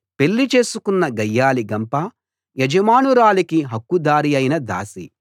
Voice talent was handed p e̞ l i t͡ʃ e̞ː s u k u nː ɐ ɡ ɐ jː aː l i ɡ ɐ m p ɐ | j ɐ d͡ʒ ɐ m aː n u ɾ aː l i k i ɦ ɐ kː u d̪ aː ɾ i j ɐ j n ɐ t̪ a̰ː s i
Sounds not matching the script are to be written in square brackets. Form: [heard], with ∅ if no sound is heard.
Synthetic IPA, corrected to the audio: p e̞ [lː] i t͡ʃ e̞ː s u k u nː ɐ ɡ ɐ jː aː l i ɡ ɐ m p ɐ | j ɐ d͡ʒ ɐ m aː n u ɾ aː l i k i ɦ ɐ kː u d̪ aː ɾ i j ɐ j n ɐ [d̪] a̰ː s i

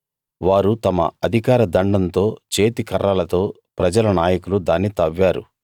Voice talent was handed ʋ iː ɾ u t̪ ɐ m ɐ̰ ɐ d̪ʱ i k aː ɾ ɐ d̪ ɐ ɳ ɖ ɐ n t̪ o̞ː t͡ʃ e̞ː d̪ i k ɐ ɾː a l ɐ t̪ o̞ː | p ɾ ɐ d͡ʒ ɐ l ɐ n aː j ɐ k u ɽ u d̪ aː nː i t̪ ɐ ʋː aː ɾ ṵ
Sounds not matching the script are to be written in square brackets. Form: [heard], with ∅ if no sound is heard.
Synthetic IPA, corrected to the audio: ʋ [aː] ɾ u t̪ ɐ m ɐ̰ ɐ d̪ʱ i k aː ɾ ɐ d̪ ɐ ɳ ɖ ɐ n t̪ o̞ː t͡ʃ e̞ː [t̪] i k ɐ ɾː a l ɐ t̪ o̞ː | p ɾ ɐ d͡ʒ ɐ l ɐ n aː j ɐ k u [l] u d̪ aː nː i t̪ ɐ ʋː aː ɾ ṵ

